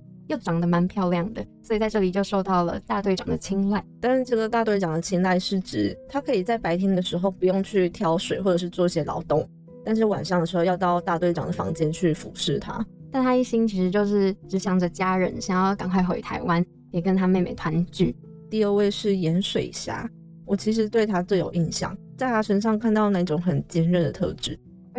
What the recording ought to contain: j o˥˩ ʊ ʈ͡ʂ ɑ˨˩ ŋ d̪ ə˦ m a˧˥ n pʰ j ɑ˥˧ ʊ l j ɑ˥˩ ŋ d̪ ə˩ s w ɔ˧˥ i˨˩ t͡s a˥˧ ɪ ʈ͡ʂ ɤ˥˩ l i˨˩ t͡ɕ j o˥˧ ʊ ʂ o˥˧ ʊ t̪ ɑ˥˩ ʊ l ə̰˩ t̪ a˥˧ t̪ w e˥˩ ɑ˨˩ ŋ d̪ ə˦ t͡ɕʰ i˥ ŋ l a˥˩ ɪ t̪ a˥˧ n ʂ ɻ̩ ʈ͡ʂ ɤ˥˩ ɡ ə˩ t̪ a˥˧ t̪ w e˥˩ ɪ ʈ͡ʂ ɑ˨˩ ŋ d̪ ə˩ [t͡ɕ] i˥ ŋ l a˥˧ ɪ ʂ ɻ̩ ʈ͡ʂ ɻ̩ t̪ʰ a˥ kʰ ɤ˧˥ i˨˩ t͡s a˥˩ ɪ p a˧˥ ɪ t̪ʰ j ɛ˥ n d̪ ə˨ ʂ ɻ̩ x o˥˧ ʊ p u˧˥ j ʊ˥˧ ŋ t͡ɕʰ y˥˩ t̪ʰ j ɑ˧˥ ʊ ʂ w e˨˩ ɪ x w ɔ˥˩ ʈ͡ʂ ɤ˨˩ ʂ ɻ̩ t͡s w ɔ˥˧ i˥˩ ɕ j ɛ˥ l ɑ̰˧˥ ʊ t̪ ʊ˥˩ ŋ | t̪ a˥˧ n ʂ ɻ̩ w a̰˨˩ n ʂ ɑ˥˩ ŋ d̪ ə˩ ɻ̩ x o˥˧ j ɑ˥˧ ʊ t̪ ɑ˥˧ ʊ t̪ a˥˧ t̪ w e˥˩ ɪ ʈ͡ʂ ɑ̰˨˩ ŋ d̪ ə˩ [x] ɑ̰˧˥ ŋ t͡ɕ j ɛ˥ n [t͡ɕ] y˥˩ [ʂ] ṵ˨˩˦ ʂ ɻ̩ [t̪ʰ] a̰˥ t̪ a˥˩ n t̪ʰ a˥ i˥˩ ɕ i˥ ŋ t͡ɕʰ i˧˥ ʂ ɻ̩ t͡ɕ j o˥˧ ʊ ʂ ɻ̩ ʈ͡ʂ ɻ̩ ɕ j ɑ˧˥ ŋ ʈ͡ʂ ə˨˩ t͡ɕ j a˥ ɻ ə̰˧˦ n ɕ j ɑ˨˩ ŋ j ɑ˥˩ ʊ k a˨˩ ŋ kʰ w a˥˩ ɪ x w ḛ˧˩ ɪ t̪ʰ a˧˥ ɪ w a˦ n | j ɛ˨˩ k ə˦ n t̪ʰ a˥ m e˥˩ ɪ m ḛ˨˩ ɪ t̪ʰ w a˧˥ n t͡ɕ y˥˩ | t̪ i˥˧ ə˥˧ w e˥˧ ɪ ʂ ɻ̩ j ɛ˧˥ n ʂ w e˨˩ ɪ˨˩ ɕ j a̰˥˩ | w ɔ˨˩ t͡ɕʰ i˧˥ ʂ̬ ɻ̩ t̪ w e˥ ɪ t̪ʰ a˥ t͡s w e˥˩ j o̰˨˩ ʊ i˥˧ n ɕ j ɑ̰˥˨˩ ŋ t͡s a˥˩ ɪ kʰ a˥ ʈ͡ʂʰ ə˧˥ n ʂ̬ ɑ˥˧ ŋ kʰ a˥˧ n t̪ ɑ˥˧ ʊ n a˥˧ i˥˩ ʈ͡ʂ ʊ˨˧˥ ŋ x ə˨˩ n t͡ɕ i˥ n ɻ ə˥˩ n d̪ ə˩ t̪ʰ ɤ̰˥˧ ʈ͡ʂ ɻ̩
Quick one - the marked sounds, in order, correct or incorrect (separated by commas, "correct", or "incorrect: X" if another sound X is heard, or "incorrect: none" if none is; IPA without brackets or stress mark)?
incorrect: t͡ɕʰ, incorrect: f, incorrect: t͡ɕʰ, incorrect: f, correct